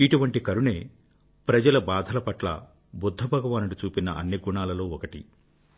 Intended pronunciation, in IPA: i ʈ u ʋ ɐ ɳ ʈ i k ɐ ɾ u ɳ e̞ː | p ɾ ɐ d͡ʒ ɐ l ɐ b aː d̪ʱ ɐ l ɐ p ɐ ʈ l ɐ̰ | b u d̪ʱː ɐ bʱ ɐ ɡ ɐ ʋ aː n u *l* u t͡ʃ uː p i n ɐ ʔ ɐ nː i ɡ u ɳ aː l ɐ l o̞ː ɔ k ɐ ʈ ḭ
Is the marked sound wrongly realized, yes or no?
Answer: yes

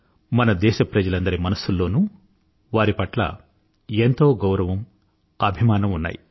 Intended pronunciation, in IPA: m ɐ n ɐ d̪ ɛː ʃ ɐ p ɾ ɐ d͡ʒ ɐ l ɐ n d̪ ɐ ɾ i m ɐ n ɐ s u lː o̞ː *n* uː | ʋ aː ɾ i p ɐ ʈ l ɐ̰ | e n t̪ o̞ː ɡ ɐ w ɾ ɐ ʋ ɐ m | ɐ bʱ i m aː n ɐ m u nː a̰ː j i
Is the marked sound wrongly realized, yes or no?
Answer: no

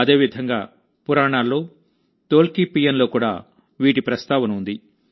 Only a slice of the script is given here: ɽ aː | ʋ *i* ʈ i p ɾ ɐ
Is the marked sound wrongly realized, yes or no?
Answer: yes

